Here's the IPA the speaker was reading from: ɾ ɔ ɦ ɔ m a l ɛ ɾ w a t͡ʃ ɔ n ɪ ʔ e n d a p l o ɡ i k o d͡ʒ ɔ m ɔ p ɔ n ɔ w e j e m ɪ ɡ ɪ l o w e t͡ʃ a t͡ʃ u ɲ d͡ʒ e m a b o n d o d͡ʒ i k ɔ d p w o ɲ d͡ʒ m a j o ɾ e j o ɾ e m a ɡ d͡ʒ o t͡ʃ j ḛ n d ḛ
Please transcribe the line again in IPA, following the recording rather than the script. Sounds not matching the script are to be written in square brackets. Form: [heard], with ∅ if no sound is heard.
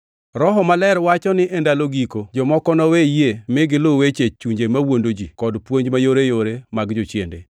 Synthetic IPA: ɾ ɔ ɦ ɔ m a l ɛ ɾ w a t͡ʃ ɔ n ɪ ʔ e n d a [∅] l o ɡ i k o d͡ʒ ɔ m ɔ [k] ɔ n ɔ w e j e m ɪ ɡ ɪ l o w e t͡ʃ [e] t͡ʃ u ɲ d͡ʒ e m a [w] o n d o d͡ʒ i k ɔ d p w o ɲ d͡ʒ m a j o ɾ e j o ɾ e m a ɡ d͡ʒ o t͡ʃ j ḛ n d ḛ